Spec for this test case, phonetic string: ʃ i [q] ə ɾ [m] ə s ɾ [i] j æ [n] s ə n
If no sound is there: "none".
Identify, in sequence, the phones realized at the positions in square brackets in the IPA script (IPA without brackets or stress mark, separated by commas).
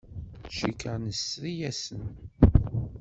k, n, i, none